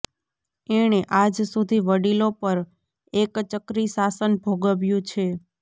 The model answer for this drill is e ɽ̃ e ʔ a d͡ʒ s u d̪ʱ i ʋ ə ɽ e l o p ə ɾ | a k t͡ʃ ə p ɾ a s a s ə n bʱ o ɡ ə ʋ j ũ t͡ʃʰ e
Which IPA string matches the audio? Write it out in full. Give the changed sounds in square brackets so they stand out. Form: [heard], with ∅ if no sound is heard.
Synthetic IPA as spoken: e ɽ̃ e ʔ a d͡ʒ s u d̪ʱ i ʋ ə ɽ [i] l o p ə ɾ | [e] k t͡ʃ ə [k] ɾ [i] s a s ə n bʱ o ɡ ə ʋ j ũ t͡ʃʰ e